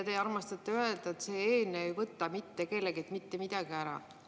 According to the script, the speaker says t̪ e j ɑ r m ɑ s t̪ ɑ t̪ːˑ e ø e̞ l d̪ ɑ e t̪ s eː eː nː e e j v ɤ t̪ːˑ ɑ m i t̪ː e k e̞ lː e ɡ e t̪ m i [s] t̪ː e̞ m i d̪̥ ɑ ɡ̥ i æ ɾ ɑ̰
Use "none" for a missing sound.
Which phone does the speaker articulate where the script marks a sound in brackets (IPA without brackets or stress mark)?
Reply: none